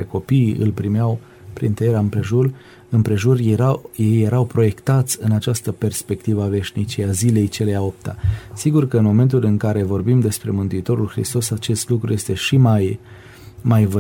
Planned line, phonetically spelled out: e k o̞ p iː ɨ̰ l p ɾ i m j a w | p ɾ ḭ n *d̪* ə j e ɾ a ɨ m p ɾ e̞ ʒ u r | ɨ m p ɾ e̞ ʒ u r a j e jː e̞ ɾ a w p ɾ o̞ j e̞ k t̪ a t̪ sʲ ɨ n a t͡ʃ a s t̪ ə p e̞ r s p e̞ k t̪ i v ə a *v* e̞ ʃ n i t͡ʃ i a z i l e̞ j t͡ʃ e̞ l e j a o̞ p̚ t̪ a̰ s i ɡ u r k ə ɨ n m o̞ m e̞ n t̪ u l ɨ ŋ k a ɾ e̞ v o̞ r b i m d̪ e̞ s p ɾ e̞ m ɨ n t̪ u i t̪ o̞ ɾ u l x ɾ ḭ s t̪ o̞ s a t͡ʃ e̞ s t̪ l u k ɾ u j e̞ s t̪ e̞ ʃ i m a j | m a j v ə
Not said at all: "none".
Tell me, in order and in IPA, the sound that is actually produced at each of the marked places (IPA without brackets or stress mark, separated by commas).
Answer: t̪, v